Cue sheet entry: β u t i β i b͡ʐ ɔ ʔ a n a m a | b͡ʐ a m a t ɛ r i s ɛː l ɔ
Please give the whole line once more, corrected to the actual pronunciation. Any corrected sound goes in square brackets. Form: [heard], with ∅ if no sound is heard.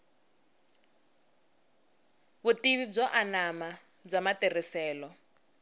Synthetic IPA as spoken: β u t i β i b͡ʐ ɔ ʔ a n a m a | b͡ʐ a m a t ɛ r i s ɛː l ɔ